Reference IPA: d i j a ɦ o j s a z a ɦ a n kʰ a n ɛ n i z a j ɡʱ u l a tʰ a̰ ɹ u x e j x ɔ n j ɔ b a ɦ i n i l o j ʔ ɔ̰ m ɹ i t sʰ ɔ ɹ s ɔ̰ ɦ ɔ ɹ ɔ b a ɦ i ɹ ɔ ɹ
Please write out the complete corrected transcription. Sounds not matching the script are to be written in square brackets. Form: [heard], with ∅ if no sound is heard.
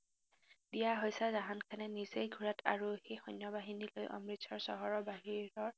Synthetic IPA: d i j a ɦ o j s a z a ɦ a n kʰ a n ɛ n i z [e] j ɡʱ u [ɹ] a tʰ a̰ ɹ u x e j x ɔ n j ɔ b a ɦ i n i l o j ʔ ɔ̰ m ɹ i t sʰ ɔ ɹ s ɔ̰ ɦ ɔ ɹ ɔ b a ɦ i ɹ ɔ ɹ